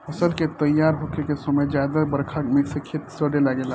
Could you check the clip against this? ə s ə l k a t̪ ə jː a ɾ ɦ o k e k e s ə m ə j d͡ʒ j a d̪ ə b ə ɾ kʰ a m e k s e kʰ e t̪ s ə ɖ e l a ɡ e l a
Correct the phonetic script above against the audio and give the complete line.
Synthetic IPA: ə s ə l k e t̪ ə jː a ɾ ɦ o k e k e s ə m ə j d͡ʒ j a d̪ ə b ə ɾ kʰ a m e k s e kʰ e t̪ s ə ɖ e l a ɡ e l a